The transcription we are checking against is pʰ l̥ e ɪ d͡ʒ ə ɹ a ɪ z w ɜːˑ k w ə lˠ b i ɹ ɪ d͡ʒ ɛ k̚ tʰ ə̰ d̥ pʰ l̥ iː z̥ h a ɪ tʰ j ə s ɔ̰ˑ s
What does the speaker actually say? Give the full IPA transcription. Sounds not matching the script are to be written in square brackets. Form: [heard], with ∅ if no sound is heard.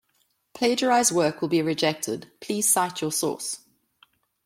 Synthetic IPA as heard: pʰ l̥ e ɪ d͡ʒ ə ɹ a ɪ z w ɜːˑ k w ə lˠ b i ɹ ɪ d͡ʒ ɛ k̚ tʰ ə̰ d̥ pʰ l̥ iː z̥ [s] a ɪ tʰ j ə s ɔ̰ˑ s

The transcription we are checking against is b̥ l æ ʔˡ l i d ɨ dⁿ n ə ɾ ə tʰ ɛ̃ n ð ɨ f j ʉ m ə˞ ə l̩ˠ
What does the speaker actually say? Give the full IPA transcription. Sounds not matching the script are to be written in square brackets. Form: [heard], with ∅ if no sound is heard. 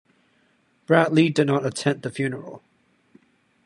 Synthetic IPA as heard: b̥ [ɹ] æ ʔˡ l i d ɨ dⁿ n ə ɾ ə tʰ ɛ̃ n ð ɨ f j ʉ [n] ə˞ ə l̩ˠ

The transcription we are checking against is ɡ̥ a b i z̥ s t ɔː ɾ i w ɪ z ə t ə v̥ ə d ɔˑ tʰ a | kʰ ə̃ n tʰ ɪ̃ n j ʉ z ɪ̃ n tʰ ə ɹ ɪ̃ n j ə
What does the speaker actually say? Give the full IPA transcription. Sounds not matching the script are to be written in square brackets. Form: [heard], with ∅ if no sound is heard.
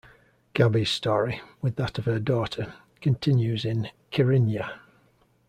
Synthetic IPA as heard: ɡ̥ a b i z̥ s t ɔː [ɹ] i w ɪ [ð] ə t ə v̥ ə d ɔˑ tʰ [ə] | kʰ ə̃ n tʰ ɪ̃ n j ʉ z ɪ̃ n [kʰ] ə ɹ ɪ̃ n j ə

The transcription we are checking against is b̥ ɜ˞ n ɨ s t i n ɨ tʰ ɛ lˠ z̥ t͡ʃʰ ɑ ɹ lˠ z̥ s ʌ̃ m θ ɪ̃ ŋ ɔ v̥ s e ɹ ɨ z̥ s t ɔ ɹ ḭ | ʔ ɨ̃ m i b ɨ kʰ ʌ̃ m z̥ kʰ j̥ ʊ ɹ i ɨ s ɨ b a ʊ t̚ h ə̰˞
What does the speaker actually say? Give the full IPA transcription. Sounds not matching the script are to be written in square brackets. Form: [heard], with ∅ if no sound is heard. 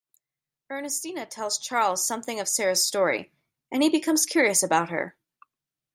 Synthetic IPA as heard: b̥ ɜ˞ n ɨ s t i n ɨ tʰ ɛ lˠ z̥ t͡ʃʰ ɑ ɹ lˠ z̥ s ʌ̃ m θ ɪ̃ ŋ [ʌ] v̥ s [ɛ] ɹ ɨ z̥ s t ɔ ɹ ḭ | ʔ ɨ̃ [n] i b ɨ kʰ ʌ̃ m z̥ kʰ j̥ ʊ ɹ i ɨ s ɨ b a ʊ t̚ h ə̰˞

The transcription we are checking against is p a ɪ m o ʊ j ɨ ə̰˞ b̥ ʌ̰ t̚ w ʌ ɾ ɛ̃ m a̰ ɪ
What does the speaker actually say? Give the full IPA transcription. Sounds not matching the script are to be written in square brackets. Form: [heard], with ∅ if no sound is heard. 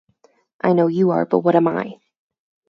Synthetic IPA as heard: [ʔ] a ɪ [n] o ʊ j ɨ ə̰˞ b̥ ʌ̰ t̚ w ʌ ɾ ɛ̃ m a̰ ɪ

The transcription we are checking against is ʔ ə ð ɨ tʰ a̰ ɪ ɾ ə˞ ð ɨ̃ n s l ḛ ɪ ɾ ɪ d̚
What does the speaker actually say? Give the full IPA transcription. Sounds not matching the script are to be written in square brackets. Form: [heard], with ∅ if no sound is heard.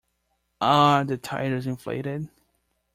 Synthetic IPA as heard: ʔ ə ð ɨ tʰ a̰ ɪ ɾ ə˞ [z] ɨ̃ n [f] l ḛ ɪ ɾ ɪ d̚

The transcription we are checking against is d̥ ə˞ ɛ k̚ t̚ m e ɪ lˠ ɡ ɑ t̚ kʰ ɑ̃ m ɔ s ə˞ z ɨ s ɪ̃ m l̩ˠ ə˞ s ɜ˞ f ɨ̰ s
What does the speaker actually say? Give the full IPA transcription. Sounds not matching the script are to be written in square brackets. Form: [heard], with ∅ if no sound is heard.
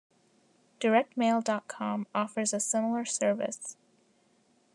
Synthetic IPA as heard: d̥ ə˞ ɛ k̚ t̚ m e ɪ lˠ [d] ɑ t̚ kʰ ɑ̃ m ɔ [f] ə˞ z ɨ s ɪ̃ m l̩ˠ ə˞ s ɜ˞ [v] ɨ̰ s

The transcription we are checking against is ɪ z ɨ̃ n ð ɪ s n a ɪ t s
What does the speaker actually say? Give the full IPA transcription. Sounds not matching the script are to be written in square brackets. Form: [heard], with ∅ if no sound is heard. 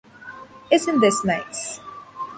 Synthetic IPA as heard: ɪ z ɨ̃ n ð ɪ s n a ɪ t s

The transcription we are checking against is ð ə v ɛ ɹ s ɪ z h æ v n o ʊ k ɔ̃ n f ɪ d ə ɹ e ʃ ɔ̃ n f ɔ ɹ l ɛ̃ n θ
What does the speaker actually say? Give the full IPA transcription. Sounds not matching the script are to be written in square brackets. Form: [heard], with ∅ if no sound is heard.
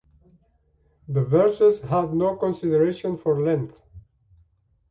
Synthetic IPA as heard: ð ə v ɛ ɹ s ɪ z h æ v n o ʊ k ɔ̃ n [s] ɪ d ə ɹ e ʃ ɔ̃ n f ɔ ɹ l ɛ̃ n θ

